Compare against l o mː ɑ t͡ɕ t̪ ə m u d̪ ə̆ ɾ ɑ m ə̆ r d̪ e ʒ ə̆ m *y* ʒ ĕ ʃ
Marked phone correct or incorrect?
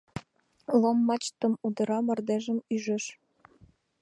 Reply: correct